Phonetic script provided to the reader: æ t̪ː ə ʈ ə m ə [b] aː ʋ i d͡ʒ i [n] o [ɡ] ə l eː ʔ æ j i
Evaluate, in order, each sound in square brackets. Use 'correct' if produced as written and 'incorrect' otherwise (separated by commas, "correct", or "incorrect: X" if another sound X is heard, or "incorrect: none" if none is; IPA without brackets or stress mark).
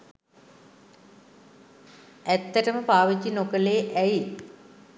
incorrect: p, correct, incorrect: k